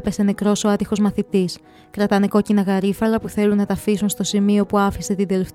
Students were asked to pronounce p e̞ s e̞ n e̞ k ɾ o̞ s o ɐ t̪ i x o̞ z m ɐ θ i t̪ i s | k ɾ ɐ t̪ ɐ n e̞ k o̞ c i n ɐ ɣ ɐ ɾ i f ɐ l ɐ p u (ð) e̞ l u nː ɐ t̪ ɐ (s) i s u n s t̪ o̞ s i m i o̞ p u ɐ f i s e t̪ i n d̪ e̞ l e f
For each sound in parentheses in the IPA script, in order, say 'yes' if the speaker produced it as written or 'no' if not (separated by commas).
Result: no, no